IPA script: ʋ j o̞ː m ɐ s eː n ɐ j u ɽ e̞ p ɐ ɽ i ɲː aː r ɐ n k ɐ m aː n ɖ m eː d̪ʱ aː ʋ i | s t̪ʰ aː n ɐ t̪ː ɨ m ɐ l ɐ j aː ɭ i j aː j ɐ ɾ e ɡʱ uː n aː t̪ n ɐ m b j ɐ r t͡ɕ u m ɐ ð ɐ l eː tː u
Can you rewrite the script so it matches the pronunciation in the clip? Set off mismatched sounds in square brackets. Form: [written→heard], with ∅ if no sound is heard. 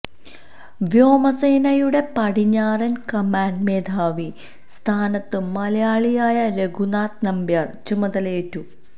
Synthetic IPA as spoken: ʋ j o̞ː m ɐ s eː n ɐ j u ɽ e̞ p ɐ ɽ i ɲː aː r ɐ n k ɐ m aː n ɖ m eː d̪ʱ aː ʋ i | s t̪ʰ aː n ɐ t̪ː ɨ m ɐ l ɐ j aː ɭ i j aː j ɐ ɾ e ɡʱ [uː→u] n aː t̪ n ɐ m b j ɐ r t͡ɕ u m ɐ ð ɐ l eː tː u